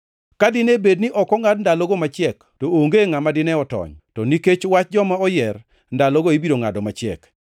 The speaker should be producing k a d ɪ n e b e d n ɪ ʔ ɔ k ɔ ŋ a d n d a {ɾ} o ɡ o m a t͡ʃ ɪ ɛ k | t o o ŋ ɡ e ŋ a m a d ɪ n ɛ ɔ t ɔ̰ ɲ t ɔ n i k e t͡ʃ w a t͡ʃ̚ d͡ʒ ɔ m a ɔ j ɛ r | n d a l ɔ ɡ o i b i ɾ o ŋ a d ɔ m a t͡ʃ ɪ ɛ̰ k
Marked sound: incorrect: l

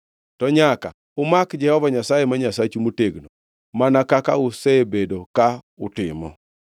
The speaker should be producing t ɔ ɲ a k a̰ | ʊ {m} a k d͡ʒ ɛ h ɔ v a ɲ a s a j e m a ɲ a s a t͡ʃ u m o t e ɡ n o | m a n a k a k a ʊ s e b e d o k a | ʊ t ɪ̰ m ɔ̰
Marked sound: correct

